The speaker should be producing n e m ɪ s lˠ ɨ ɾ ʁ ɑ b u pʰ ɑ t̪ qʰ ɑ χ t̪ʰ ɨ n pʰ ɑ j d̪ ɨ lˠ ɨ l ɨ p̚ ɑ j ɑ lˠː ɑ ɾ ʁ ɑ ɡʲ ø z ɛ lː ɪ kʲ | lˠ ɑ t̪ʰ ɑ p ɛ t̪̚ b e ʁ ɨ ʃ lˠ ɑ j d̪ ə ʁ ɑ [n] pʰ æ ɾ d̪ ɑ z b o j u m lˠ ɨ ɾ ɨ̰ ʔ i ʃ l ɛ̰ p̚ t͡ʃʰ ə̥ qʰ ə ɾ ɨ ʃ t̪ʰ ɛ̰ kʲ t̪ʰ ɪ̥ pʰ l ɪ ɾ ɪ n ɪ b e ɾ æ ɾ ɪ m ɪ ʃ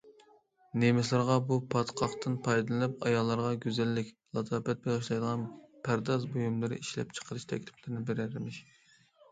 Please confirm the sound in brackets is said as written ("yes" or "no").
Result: yes